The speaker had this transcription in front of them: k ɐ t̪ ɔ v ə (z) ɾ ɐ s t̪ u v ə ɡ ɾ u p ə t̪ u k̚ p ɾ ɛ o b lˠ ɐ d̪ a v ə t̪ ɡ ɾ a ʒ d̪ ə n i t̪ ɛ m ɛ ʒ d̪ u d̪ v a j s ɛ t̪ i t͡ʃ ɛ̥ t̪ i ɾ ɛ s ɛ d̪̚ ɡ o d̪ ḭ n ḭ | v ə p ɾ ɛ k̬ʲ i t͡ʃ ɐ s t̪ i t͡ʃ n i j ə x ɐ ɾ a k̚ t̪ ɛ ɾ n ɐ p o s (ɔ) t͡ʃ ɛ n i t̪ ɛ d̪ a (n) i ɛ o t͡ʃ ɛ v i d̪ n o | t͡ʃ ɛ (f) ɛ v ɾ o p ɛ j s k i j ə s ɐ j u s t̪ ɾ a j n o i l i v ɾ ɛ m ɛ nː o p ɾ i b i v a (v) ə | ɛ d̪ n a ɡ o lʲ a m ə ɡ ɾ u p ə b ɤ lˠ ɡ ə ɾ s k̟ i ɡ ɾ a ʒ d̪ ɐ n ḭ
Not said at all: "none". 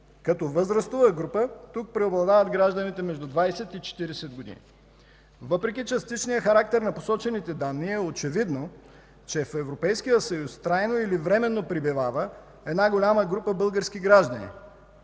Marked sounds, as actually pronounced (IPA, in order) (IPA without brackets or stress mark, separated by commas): z, ɔ, nː, f, v